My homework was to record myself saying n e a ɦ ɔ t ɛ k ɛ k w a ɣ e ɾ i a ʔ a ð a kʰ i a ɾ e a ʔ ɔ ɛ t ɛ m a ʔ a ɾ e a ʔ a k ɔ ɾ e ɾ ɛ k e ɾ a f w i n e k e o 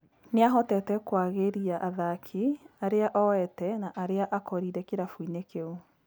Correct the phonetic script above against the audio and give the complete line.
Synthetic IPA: n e a ɦ ɔ t ɛ t ɛ k w a ɣ e ɾ i a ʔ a ð a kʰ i a ɾ e a ʔ ɔ ɛ t ɛ n a ʔ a ɾ e a ʔ a k ɔ ɾ i ɾ ɛ k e ɾ a f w i n e k e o